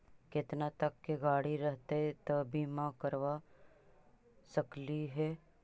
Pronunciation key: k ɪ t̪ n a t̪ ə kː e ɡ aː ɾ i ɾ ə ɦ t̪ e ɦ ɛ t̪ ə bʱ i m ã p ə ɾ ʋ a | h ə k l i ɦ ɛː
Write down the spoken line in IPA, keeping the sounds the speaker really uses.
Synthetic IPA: k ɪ t̪ n a t̪ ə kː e ɡ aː ɽ i ɾ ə ɦ t̪ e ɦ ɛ t̪ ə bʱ i m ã k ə ɾ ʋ a | s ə k l i ɦ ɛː